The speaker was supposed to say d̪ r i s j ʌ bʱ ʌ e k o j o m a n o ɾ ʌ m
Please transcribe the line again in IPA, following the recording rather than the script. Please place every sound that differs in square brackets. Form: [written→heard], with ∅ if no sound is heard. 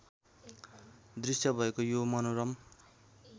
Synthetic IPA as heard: d̪ r i s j ʌ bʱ ʌ e k o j o m [a→ʌ] n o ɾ ʌ m

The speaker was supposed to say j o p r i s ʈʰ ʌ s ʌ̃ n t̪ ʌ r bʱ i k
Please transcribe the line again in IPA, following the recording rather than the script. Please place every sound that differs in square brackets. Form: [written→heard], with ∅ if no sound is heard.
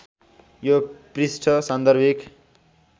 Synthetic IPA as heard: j o p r i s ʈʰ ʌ s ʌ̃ n [t̪→d̪] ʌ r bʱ i k

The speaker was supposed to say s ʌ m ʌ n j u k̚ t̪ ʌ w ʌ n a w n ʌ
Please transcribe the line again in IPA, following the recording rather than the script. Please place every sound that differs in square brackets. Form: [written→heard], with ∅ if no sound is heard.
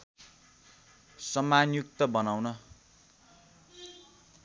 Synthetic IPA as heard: s ʌ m [ʌ→a] n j u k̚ t̪ ʌ [w→b] ʌ n a w n ʌ

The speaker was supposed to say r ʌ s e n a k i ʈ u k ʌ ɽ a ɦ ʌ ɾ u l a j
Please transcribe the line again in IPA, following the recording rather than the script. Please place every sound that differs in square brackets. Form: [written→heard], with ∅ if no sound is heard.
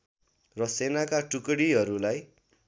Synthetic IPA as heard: r ʌ s e n a k [i→a] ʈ u k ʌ ɽ [a→i] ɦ ʌ ɾ u l a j

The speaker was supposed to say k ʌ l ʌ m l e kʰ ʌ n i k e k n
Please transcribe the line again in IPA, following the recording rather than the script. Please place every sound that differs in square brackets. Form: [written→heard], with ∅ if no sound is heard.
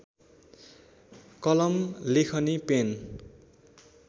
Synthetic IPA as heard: k ʌ l ʌ m l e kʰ ʌ n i [k→p] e [k→∅] n

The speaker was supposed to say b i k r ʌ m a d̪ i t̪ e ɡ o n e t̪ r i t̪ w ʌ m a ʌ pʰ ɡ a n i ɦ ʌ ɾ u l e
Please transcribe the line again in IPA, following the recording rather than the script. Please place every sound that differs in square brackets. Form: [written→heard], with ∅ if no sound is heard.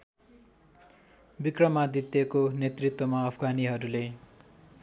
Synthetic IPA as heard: b i k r ʌ m a d̪ i t̪ e [ɡ→k] o n e t̪ r i t̪ w ʌ m a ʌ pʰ ɡ a n i ɦ ʌ ɾ u l e

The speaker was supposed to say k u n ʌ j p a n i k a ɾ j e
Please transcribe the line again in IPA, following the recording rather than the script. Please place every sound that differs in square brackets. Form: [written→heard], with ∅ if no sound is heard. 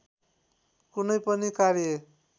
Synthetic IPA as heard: k u n ʌ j p [a→ʌ] n i k a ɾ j e

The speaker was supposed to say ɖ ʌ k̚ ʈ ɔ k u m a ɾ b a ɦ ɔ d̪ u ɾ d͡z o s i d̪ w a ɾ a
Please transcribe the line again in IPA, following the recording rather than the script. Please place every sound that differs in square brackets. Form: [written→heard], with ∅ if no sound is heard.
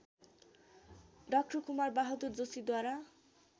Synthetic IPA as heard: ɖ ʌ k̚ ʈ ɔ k u m a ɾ b a ɦ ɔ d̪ u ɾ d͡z o s i d̪ w a ɾ a

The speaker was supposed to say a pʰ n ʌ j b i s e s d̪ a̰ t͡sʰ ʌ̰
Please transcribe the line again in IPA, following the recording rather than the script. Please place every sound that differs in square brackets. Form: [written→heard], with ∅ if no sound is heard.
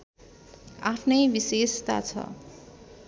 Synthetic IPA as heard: a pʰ n ʌ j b i s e s [d̪→t̪] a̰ t͡sʰ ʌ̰

